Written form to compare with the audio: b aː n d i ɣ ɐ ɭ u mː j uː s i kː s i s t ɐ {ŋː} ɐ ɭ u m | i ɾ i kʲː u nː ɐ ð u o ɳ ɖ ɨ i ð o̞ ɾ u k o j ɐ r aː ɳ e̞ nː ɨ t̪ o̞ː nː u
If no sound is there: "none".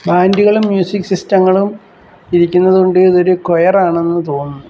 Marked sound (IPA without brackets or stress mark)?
ŋː